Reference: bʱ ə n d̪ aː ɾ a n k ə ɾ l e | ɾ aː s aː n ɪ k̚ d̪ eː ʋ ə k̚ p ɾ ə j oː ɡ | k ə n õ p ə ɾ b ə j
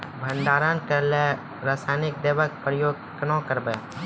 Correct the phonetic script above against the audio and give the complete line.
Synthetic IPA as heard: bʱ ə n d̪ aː ɾ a n k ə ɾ l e | ɾ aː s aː n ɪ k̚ d̪ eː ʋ ə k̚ p ɾ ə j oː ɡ | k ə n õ k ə ɾ b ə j